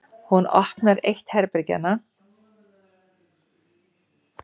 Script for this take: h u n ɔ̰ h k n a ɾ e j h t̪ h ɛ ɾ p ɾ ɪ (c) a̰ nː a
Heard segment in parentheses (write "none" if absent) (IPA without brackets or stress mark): c